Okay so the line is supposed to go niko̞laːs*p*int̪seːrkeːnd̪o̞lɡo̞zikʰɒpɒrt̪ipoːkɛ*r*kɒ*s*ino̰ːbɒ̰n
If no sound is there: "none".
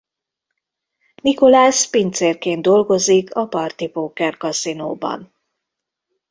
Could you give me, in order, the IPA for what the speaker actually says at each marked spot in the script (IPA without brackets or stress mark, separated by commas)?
p, r, s